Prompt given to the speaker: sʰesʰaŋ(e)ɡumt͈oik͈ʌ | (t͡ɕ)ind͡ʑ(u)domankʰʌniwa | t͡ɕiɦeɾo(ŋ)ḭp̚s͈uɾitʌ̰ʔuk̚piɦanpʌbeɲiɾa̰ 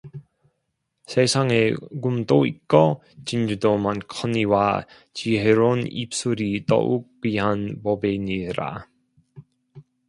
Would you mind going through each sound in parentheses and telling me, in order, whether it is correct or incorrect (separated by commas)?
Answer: correct, correct, correct, incorrect